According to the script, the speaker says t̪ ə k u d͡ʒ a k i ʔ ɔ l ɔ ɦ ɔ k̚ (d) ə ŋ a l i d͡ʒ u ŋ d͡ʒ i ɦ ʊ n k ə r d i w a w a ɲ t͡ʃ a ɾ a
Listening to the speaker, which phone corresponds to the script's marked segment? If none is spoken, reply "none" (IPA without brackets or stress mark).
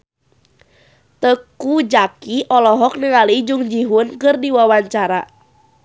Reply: n